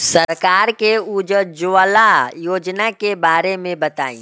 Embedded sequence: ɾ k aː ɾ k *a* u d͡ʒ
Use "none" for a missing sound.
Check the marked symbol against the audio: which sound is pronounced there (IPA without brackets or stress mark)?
e